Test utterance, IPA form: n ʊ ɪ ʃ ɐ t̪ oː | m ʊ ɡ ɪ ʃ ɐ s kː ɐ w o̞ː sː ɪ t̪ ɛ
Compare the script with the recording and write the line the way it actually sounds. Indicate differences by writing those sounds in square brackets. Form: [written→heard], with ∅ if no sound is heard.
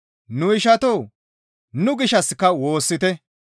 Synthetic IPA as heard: n ʊ ɪ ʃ ɐ t̪ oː | [m→n] ʊ ɡ ɪ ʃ ɐ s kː ɐ w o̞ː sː ɪ t̪ ɛ